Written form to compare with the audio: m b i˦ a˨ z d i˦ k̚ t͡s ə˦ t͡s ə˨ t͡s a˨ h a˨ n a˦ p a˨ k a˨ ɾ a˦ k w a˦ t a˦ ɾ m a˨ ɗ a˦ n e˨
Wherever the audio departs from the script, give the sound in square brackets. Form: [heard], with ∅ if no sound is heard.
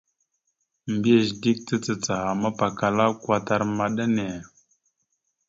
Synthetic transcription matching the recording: m b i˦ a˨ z d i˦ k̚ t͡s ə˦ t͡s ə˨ t͡s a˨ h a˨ [m] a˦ p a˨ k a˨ [l] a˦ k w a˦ t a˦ ɾ m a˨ ɗ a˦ n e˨